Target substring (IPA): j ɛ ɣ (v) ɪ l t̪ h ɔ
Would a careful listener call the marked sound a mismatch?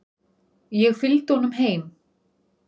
yes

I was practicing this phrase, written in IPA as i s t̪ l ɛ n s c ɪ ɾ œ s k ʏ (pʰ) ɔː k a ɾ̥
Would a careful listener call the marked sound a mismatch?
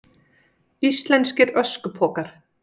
no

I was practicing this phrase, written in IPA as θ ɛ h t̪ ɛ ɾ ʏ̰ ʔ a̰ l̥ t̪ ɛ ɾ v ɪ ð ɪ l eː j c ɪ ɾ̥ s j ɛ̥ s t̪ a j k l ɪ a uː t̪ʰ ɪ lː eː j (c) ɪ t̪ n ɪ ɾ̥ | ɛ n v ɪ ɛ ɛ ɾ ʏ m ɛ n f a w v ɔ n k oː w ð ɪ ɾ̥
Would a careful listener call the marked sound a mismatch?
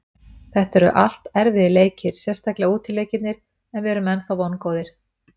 no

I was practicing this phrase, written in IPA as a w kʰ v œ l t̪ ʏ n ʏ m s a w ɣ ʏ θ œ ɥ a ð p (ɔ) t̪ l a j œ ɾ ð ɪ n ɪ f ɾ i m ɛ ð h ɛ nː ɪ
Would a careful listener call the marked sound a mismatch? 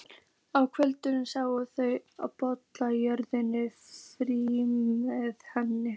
no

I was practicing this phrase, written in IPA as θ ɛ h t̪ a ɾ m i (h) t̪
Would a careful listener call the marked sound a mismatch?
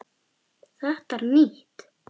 no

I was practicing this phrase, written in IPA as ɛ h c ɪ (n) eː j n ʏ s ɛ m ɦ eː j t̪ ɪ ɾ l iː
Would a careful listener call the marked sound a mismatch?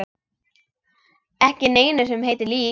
no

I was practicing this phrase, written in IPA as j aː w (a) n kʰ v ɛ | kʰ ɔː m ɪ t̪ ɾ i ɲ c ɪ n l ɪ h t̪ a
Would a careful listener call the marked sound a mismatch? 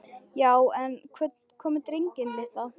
yes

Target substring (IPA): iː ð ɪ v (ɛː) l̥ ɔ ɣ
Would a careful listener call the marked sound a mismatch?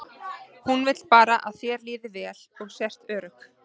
no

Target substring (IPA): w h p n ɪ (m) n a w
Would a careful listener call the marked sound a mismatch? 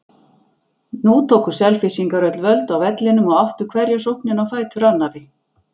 yes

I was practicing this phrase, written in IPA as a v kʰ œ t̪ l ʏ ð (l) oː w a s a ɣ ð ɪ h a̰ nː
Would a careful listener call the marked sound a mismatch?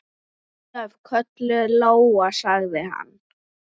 no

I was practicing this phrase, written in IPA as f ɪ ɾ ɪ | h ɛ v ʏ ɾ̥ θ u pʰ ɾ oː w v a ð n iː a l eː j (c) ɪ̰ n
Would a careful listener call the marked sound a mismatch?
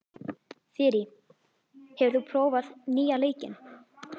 no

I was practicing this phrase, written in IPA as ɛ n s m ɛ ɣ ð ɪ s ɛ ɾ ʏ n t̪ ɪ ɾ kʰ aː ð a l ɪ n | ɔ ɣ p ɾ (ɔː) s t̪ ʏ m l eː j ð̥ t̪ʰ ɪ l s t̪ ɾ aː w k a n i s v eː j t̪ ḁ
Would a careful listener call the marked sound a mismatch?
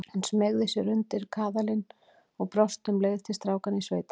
yes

